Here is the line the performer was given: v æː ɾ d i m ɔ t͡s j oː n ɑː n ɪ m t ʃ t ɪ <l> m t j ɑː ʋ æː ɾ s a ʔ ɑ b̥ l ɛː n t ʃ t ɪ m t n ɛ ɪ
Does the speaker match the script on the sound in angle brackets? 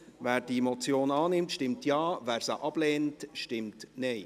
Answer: no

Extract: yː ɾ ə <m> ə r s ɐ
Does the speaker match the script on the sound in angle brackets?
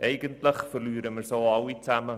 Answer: yes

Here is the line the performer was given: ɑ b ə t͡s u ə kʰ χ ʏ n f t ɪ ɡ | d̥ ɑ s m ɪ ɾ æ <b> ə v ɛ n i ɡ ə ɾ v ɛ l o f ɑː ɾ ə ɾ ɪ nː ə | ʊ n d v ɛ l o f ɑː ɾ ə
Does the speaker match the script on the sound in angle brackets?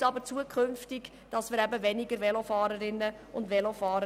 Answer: yes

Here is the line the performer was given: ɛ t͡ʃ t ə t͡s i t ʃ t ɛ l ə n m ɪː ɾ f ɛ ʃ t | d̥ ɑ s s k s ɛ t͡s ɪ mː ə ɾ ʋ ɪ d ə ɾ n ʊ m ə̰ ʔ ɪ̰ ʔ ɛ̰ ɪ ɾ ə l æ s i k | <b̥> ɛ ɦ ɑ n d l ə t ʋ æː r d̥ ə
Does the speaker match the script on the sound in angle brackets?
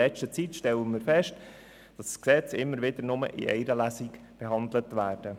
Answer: yes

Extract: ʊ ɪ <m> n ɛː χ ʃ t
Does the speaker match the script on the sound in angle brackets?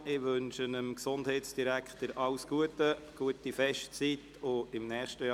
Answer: yes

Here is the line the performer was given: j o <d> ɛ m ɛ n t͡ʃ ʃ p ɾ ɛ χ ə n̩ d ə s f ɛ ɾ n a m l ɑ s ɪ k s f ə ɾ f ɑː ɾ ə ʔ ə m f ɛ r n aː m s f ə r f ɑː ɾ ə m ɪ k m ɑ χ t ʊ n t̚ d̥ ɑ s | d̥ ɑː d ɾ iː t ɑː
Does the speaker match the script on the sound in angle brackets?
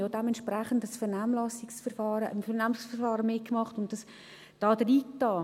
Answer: yes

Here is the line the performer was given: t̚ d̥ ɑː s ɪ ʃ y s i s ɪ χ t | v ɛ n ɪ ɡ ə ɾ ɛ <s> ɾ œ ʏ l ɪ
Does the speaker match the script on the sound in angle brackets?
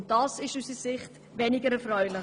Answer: no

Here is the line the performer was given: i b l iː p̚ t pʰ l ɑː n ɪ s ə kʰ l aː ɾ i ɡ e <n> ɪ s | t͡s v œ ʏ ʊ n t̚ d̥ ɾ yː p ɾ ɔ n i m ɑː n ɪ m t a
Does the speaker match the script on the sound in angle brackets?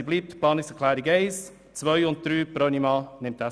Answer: no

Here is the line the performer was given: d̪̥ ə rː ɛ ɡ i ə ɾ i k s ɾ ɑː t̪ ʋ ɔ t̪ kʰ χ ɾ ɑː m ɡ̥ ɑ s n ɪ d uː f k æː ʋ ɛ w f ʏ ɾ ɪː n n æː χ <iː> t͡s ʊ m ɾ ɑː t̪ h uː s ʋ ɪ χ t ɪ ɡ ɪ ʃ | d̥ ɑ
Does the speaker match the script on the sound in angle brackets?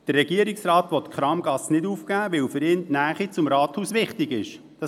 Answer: no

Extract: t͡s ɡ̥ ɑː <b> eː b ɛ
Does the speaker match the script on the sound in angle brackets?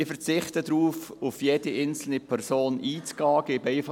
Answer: no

